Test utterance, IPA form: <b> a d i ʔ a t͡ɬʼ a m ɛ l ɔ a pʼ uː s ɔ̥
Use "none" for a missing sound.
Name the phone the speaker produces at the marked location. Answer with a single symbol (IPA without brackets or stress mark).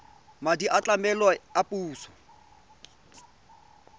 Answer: m